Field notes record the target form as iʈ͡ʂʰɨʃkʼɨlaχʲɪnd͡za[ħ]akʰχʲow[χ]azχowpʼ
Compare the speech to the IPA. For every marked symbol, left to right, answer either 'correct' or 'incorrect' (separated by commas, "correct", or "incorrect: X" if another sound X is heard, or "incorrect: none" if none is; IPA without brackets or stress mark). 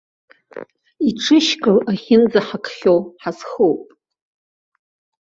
correct, incorrect: ħ